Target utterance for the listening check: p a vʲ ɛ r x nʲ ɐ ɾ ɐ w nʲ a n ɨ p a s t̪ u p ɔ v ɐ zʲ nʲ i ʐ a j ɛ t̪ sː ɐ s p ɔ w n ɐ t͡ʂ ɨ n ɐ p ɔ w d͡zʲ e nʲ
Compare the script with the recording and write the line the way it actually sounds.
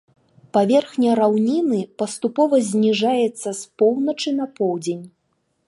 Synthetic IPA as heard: p a vʲ ɛ r x nʲ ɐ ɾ a w nʲ i n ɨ p ɐ s t̪ u p ɔ v ɐ zʲ nʲ i ʐ a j ɛ t̪ sː ɐ s p ɔ w n ɐ t͡ʂ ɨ n ɐ p ɔ w d͡zʲ e nʲ